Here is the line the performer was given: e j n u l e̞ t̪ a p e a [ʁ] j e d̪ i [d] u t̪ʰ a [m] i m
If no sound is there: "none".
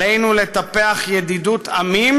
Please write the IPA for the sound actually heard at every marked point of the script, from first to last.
χ, d, m

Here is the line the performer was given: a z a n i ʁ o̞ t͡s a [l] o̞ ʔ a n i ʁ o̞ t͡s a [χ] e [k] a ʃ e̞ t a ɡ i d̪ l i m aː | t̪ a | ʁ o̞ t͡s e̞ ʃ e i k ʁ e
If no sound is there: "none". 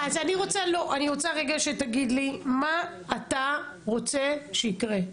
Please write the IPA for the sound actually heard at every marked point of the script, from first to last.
l, ʁ, ɡ

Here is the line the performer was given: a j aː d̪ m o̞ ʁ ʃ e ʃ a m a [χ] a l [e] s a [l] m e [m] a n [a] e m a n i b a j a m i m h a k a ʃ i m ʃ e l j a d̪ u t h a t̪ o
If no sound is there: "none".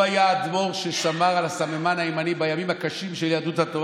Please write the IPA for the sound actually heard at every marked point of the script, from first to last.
ʁ, a, none, m, a

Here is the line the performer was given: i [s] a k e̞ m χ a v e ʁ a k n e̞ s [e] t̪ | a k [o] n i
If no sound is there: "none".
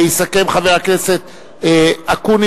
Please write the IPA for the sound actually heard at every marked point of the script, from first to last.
s, e, u

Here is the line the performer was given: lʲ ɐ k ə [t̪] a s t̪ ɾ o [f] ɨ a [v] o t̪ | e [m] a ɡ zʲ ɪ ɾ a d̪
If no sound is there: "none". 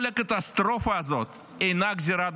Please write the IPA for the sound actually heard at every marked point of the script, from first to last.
t̪, f, z, n

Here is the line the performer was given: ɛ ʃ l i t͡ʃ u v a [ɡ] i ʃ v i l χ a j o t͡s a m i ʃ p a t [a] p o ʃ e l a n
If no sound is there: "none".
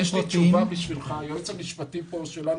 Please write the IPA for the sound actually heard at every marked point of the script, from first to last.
b, i

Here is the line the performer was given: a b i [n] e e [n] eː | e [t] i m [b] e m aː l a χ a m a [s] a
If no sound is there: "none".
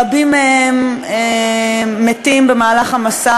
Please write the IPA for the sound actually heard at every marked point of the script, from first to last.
m, m, t, b, s

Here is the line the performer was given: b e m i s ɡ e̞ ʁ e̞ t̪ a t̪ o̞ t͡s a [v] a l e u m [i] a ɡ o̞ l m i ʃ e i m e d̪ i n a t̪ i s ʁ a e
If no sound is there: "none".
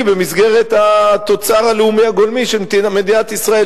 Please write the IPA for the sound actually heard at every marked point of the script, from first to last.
ʁ, i

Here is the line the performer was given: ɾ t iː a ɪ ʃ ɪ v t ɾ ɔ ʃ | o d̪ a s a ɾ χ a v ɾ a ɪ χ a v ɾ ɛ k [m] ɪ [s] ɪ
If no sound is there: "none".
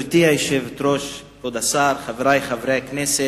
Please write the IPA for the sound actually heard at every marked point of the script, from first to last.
n, s

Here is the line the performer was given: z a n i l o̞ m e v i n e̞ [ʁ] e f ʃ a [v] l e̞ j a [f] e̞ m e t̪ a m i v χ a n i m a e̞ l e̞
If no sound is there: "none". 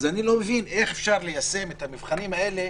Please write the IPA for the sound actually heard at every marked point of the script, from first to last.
χ, ʁ, s

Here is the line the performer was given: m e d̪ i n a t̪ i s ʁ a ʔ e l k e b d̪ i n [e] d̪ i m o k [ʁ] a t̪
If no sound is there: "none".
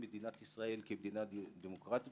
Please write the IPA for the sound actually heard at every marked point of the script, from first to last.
a, ʁ

